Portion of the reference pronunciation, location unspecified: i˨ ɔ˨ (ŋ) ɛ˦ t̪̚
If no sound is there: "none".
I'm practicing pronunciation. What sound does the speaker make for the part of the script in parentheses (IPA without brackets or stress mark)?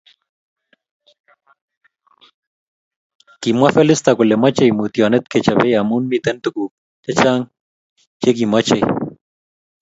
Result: n